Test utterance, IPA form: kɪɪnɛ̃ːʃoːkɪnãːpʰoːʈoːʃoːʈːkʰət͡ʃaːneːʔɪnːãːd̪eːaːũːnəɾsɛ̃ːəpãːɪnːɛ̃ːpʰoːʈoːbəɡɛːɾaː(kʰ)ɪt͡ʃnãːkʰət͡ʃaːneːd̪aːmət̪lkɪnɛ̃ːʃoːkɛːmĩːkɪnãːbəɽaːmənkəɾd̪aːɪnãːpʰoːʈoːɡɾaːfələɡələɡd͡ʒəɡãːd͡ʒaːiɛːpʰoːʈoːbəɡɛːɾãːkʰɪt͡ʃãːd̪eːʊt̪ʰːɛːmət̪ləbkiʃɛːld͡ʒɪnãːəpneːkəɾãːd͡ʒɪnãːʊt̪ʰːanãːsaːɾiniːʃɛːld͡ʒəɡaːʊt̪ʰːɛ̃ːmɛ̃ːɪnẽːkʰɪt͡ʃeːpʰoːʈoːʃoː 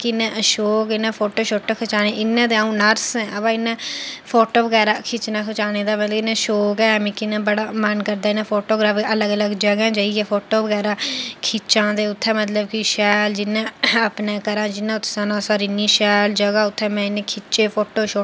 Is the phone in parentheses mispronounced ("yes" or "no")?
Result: no